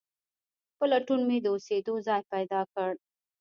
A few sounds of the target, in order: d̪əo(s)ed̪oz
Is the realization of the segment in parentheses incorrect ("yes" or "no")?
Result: no